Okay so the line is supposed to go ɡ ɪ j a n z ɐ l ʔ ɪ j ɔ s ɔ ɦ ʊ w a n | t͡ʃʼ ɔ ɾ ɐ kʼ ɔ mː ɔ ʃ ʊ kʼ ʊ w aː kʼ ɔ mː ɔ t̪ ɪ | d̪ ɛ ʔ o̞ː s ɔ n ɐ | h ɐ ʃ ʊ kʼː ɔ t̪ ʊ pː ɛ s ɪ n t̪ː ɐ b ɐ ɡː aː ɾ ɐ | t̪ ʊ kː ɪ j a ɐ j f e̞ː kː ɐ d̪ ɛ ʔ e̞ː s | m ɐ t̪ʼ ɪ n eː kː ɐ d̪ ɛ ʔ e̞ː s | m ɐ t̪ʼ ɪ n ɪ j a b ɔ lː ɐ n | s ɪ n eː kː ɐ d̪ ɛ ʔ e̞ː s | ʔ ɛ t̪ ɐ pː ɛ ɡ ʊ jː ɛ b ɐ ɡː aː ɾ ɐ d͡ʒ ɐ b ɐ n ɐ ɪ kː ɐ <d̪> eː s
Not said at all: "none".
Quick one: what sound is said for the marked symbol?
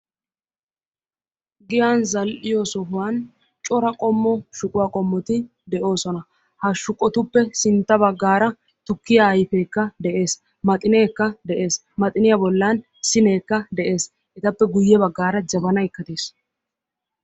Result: t̪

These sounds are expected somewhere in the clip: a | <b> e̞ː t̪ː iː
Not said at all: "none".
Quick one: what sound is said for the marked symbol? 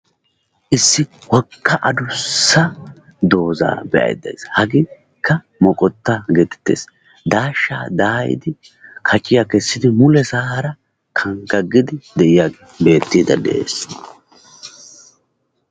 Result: b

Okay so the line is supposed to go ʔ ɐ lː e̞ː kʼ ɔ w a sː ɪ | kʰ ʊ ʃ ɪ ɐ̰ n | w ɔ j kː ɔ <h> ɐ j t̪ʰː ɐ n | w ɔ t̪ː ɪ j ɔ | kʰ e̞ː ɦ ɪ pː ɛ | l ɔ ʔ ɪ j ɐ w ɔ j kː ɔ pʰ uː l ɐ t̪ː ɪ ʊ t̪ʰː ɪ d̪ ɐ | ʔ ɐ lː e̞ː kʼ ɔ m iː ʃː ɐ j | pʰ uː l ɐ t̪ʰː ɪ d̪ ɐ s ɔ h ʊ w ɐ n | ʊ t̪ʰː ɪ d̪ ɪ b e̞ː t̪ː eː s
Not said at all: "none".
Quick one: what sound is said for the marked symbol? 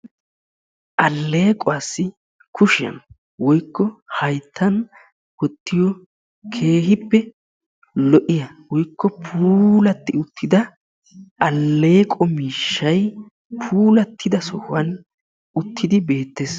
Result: h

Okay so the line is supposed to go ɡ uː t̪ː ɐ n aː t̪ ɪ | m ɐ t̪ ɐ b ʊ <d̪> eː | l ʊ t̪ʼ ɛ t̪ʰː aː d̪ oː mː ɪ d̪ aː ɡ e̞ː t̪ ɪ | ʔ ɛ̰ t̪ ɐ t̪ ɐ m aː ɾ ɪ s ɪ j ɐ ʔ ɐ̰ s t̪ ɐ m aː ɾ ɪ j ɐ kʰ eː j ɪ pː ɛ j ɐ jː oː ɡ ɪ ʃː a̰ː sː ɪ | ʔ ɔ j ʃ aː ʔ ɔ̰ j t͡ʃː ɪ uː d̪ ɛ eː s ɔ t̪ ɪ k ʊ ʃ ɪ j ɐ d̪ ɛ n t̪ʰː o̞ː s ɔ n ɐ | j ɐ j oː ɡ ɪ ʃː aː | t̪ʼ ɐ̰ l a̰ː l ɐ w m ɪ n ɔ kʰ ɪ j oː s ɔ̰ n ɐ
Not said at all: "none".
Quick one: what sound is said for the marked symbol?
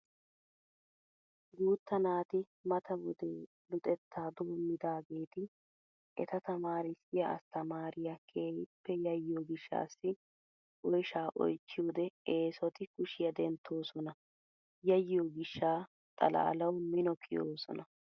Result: d̪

